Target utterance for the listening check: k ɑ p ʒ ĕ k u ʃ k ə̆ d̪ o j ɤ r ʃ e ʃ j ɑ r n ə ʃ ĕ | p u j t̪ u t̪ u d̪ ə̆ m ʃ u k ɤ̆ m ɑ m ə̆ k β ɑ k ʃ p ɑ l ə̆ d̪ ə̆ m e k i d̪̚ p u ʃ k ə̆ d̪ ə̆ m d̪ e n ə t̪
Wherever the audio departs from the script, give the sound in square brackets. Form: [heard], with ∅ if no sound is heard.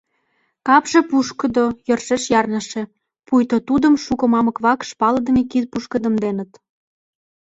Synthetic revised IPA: k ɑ p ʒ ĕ [p] u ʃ k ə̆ d̪ o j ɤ r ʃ e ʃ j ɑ r n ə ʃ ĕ | p u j t̪ [o] t̪ u d̪ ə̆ m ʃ u k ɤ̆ m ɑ m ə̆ k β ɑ k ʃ p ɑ l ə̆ d̪ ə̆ m e k i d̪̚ p u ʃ k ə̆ d̪ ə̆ m d̪ e n ə t̪